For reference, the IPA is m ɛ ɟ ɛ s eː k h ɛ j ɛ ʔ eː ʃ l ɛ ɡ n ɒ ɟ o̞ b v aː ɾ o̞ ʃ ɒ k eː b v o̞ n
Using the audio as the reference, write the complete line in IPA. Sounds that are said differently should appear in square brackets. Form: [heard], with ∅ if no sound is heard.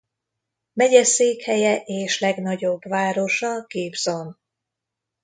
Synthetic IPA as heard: m ɛ ɟ ɛ s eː k h ɛ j ɛ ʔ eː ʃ l ɛ ɡ n ɒ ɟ o̞ b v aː ɾ o̞ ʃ ɒ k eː b [z] o̞ n